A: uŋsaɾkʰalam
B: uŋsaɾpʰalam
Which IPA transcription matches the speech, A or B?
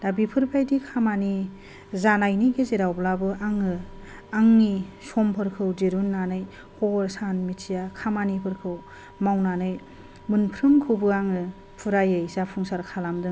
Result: A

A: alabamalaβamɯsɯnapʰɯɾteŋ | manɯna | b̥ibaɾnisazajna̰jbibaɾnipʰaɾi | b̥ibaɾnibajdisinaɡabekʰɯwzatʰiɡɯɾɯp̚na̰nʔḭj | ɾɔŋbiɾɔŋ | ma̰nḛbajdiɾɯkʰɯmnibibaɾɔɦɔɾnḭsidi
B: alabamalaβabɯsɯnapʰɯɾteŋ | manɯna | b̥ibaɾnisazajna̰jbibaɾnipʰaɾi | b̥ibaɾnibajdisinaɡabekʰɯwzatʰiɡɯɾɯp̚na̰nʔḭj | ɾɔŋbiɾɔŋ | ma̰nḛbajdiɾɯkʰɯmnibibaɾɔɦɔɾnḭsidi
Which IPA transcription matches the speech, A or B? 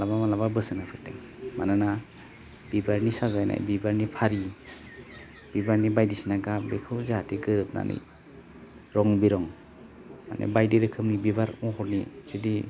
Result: B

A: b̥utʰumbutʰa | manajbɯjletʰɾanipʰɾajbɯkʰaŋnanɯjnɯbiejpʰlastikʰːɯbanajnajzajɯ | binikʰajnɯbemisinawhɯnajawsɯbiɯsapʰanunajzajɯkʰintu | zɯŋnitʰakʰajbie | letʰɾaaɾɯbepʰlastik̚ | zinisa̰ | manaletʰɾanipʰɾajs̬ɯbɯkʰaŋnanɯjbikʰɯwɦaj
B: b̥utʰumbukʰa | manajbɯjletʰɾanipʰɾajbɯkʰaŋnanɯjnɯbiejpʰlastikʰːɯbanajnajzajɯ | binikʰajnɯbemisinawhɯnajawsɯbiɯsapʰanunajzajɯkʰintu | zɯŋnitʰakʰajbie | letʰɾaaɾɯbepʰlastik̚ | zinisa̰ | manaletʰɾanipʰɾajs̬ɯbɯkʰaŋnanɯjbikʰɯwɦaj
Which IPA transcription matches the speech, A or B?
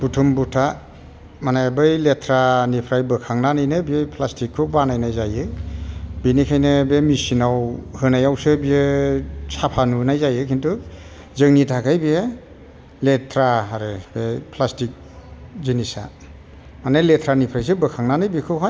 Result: A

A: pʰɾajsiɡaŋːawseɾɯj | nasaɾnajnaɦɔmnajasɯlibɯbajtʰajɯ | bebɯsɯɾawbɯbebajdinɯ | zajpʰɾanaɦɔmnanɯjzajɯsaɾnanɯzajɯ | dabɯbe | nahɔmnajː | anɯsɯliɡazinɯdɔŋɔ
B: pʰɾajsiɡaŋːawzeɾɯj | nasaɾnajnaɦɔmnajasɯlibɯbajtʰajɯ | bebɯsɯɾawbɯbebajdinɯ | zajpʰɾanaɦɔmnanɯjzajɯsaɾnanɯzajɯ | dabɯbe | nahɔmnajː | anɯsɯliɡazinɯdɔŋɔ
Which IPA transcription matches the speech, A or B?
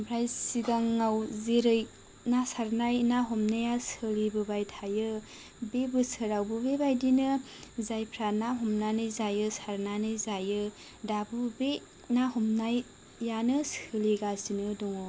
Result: B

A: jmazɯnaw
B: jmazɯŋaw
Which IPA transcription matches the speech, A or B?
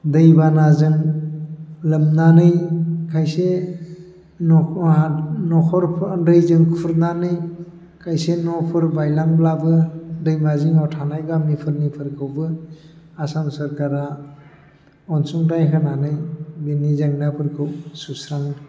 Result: B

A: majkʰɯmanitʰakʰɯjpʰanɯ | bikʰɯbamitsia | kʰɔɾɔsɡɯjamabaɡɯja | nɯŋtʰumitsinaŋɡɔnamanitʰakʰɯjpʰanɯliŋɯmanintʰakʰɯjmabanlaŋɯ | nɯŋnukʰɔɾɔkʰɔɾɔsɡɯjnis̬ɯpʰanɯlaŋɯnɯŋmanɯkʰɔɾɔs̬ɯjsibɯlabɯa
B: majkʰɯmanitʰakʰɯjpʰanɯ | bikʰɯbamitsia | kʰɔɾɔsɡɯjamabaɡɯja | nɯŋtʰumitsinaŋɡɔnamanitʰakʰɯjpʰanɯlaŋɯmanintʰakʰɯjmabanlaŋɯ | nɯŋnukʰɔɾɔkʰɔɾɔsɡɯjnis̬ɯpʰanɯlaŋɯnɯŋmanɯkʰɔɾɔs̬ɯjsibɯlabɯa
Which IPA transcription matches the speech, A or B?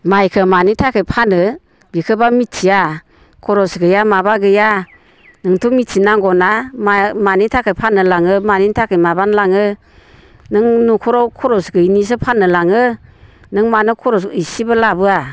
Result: B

